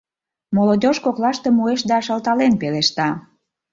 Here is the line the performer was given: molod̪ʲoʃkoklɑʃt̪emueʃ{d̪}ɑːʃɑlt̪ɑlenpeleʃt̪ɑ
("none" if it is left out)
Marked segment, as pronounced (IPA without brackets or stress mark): d̪